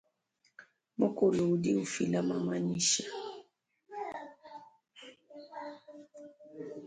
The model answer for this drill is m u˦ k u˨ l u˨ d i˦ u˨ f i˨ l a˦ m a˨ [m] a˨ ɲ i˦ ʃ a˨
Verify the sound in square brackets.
correct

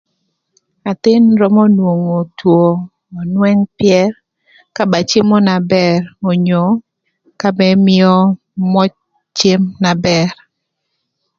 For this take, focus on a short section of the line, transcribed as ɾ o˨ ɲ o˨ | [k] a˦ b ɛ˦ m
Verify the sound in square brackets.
correct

